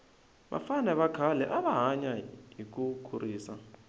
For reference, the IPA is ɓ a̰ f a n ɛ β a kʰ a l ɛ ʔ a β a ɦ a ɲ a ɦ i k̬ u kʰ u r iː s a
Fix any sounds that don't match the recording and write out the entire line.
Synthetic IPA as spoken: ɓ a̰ f a n ɛ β a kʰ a l ɛ ʔ a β a ɦ a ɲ a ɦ i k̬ u kʰ u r iː s a